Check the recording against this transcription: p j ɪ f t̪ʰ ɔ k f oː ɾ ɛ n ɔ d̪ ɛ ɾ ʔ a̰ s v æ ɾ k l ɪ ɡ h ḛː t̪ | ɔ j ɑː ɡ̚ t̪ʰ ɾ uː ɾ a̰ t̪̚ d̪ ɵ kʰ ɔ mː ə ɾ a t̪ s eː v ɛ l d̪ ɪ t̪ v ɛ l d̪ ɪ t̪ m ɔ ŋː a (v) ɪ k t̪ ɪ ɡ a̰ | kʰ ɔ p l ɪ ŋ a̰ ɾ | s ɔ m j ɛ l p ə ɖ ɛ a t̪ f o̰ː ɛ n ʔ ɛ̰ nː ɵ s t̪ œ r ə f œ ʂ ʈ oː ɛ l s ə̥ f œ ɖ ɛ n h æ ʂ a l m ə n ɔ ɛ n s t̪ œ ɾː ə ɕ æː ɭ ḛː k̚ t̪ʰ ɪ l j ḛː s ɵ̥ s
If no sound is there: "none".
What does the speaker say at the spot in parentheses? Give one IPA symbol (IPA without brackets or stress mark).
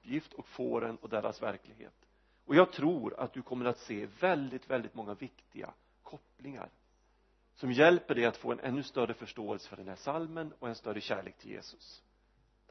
v